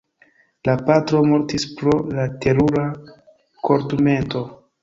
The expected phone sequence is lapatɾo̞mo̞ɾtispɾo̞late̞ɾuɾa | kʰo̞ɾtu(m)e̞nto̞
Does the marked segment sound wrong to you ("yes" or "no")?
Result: no